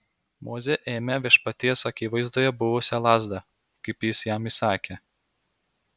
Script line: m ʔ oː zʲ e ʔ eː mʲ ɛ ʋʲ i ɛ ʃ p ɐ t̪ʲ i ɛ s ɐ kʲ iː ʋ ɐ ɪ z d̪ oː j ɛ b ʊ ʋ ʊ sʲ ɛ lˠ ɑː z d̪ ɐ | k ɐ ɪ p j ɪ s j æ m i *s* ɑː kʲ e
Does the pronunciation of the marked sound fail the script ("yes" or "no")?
no